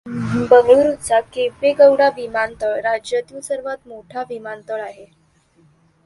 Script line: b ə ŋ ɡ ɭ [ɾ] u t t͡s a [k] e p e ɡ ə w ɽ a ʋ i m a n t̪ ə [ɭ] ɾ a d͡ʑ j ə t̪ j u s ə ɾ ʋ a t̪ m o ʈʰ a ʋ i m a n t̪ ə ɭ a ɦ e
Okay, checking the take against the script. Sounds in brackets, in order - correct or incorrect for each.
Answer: correct, correct, correct

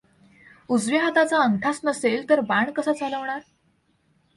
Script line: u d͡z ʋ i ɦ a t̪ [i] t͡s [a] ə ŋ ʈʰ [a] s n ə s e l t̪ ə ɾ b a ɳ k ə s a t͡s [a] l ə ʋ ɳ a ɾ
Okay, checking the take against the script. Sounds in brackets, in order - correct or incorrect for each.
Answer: incorrect: a, correct, correct, correct

